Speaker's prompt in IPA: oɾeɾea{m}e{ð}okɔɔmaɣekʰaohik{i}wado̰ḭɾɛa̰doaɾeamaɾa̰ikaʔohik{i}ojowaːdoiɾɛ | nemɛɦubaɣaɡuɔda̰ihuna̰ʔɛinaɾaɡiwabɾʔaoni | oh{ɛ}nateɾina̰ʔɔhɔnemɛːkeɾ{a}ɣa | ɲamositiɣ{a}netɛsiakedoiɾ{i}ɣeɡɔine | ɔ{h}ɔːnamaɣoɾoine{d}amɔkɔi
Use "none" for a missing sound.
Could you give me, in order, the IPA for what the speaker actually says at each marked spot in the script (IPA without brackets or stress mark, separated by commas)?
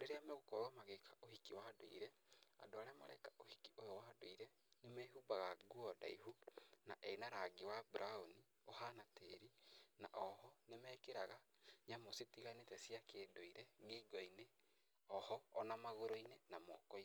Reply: m, ɣ, i, i, a, a, a, ɛ, h, n